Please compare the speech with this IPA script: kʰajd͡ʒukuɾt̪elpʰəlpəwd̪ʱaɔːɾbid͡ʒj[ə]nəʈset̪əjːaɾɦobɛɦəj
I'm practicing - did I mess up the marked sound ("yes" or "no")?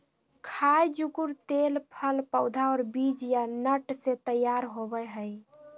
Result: yes